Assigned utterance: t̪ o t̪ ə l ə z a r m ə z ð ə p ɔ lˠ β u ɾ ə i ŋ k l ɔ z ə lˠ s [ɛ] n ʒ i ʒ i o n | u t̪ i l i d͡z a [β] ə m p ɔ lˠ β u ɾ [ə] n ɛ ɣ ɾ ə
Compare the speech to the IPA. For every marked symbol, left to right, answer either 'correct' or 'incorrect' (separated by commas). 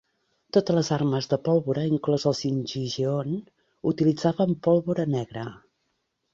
incorrect, correct, correct